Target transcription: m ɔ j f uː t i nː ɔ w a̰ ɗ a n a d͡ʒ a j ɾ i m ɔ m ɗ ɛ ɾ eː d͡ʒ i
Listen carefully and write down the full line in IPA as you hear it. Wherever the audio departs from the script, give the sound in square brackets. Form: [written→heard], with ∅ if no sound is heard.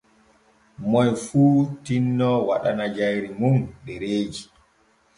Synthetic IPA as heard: m ɔ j f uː t i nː ɔ w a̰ ɗ a n a d͡ʒ a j ɾ i m [ɔ→u] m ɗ ɛ ɾ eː d͡ʒ i